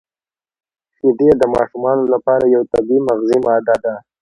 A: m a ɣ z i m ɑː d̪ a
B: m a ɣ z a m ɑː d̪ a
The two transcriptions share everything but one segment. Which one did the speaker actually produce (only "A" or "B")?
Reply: A